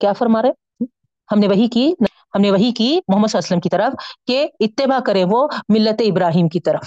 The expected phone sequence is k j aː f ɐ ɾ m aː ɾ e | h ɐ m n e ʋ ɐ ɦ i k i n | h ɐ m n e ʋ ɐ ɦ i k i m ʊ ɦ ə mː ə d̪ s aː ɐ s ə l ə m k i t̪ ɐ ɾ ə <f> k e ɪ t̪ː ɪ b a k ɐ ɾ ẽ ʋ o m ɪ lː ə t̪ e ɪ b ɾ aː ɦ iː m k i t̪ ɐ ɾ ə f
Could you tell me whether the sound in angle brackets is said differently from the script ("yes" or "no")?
no